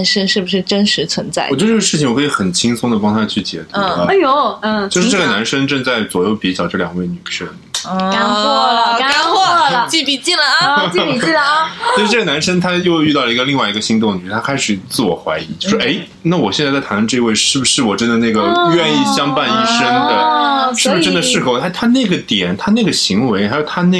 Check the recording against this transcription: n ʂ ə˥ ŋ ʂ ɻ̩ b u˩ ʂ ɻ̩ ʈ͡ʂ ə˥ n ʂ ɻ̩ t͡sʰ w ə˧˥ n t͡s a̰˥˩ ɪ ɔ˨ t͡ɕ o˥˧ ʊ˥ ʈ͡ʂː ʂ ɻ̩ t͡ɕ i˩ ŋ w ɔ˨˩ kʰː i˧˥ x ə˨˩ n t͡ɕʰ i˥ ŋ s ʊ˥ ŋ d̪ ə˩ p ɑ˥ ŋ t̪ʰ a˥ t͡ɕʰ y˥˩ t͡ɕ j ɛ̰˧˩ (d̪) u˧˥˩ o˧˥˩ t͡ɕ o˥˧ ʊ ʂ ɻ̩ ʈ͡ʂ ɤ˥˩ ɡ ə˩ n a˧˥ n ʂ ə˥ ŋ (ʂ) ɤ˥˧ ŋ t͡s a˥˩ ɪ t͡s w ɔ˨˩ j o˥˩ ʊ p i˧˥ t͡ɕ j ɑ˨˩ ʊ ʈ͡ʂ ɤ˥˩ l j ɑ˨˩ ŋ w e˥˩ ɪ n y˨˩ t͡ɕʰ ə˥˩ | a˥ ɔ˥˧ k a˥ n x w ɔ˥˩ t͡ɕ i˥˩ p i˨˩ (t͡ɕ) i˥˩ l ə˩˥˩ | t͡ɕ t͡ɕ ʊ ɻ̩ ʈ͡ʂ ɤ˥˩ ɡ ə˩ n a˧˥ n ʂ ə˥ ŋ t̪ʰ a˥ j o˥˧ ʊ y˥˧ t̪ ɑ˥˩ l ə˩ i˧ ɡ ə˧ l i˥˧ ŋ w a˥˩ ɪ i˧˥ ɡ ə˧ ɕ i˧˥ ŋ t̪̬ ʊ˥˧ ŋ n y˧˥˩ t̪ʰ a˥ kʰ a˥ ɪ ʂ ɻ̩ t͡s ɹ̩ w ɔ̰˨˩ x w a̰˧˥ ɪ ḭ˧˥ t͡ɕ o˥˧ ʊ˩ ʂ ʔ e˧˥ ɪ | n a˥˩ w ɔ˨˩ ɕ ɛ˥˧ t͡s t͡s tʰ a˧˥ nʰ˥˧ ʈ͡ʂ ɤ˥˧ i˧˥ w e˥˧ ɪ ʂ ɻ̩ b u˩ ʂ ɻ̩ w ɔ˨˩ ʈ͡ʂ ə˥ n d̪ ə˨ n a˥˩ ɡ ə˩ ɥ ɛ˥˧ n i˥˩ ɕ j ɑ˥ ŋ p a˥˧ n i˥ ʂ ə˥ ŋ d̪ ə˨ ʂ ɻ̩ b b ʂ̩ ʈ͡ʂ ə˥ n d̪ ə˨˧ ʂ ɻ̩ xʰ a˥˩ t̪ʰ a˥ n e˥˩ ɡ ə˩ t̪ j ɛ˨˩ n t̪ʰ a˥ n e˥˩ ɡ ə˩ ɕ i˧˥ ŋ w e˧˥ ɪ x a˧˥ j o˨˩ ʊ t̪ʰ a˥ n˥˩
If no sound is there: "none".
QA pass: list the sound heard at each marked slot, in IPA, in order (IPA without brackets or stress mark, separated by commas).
t̪, ʈ͡ʂ, t͡ɕ